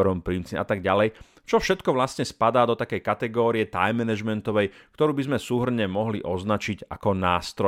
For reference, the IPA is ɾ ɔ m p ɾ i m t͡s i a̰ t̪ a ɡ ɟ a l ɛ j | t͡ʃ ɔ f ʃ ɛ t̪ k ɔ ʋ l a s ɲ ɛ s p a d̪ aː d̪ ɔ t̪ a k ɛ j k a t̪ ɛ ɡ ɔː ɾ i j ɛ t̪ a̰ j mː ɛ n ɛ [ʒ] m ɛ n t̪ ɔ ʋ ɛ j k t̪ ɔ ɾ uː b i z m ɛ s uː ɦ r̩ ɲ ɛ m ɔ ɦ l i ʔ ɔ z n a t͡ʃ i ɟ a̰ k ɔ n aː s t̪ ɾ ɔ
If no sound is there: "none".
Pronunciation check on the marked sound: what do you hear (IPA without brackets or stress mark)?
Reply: ʒ